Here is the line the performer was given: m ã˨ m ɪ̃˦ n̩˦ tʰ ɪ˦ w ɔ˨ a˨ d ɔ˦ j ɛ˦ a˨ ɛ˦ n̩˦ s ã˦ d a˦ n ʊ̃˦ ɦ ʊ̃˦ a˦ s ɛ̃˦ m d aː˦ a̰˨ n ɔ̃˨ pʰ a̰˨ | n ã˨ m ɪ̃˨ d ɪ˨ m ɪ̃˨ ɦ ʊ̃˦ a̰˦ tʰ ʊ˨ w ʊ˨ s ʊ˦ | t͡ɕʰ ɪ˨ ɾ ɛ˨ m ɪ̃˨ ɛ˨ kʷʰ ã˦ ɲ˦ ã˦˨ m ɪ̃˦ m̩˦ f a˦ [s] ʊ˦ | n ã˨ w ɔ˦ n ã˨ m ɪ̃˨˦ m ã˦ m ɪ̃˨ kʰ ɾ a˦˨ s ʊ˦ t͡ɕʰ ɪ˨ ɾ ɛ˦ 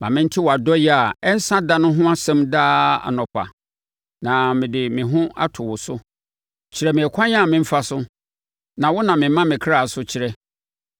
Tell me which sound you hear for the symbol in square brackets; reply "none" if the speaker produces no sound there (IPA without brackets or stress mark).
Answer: s